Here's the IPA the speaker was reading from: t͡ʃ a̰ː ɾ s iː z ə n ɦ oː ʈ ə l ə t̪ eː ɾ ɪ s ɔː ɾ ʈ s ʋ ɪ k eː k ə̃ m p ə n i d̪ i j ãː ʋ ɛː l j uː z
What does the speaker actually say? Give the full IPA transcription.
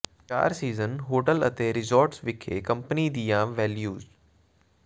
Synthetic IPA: t͡ʃ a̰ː ɾ s iː z ə n ɦ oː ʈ ə l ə t̪ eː ɾ ɪ z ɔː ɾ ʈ s ʋ ɪ kʰ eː k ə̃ m p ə n i d̪ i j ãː ʋ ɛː l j uː z